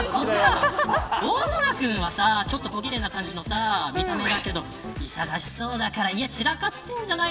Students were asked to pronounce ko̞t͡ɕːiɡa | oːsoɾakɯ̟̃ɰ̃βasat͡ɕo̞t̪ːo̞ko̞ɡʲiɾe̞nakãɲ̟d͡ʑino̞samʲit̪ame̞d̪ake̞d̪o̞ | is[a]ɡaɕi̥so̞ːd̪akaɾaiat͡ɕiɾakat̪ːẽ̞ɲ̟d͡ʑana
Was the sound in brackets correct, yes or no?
yes